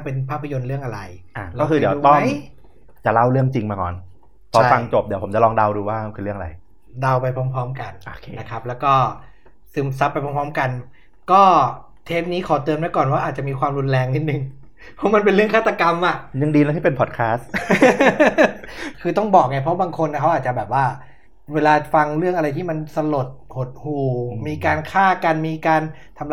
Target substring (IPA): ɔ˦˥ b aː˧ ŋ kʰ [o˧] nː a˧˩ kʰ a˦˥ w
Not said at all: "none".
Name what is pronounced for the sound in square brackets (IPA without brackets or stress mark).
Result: o˧